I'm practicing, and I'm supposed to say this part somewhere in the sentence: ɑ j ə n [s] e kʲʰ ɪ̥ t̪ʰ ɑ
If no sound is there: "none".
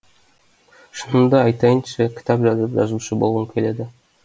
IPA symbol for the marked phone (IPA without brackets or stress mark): ʃ